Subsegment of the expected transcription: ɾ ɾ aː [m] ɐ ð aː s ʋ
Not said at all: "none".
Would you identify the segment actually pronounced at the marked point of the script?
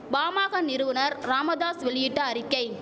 m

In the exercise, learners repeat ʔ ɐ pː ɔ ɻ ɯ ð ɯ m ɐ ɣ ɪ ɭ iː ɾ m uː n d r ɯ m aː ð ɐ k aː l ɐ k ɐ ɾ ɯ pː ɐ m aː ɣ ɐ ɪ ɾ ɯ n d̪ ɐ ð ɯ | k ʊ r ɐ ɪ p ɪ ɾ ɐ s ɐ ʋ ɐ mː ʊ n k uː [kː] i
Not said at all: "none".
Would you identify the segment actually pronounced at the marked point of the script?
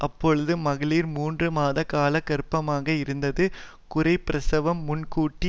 ʈː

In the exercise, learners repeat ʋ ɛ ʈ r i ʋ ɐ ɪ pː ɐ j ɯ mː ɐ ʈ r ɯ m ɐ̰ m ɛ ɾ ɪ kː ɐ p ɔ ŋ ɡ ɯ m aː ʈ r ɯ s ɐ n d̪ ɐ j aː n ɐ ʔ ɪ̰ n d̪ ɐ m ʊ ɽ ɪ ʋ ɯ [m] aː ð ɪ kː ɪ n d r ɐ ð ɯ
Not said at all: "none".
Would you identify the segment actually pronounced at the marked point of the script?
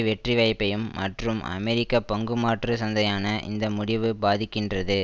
b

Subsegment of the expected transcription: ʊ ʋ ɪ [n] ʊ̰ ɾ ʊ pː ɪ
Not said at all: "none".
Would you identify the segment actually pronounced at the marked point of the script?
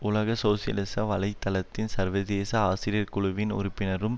n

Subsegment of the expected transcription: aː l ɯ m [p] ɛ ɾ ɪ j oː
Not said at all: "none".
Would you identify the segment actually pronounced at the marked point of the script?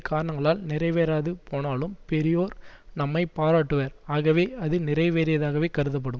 p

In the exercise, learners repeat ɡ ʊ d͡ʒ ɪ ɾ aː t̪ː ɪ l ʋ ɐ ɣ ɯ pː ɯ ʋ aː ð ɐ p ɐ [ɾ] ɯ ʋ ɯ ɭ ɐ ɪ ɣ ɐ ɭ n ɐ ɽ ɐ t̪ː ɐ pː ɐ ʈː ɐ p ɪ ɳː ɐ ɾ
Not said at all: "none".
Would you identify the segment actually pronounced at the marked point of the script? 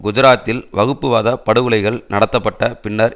ɽ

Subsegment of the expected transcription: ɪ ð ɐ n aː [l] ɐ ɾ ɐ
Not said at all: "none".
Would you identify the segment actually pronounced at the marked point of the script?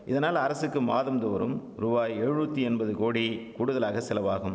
l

